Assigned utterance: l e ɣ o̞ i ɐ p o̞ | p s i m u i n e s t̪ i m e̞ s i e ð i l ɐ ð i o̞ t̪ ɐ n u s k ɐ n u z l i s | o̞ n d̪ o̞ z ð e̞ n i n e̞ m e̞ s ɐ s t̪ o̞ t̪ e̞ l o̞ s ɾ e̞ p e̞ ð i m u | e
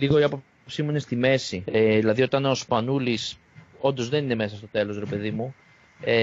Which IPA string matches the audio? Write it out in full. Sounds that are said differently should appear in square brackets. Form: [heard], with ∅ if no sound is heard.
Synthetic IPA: l [i] ɣ o̞ i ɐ p o̞ | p s i m u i n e s t̪ i m e̞ s i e ð i l ɐ ð i o̞ t̪ ɐ n [o] s [p] ɐ n u [∅] l i s | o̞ n d̪ o̞ z ð e̞ n i n e̞ m e̞ s ɐ s t̪ o̞ t̪ e̞ l o̞ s ɾ e̞ p e̞ ð i m u | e